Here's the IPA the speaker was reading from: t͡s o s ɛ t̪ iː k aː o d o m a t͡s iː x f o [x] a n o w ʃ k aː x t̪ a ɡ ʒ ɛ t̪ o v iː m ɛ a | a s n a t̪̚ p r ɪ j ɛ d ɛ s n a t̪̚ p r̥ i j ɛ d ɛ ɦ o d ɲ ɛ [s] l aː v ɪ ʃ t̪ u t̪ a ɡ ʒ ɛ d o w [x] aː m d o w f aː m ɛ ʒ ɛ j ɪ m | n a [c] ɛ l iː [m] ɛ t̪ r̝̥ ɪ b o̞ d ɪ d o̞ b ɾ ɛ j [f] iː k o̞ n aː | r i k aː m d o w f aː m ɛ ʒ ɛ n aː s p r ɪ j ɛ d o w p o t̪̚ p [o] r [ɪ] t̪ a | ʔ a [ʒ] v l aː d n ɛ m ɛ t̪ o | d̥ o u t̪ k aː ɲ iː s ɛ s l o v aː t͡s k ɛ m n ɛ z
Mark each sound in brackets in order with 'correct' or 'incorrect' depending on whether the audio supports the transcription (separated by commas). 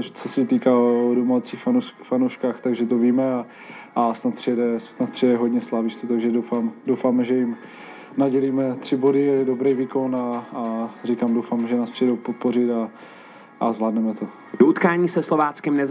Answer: incorrect, correct, incorrect, incorrect, correct, incorrect, correct, correct, incorrect